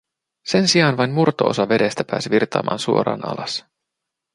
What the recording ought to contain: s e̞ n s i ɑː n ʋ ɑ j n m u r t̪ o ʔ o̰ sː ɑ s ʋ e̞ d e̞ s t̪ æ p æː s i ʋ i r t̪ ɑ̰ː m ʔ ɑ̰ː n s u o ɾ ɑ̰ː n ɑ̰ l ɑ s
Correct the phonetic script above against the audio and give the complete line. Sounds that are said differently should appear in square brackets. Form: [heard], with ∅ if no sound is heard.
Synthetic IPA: s e̞ n s i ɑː n ʋ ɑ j n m u r t̪ o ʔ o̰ [s] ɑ [∅] ʋ e̞ d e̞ s t̪ æ p æː s i ʋ i r t̪ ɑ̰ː m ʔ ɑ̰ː n s u o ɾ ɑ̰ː n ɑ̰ l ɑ s